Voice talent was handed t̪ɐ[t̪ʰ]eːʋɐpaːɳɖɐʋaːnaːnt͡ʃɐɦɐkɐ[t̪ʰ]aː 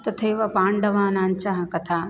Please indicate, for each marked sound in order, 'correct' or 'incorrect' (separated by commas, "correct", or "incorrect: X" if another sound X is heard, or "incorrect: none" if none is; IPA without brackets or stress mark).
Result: correct, correct